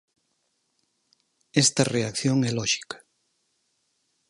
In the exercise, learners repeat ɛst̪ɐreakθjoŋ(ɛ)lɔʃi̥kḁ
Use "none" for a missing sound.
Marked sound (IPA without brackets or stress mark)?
ɛ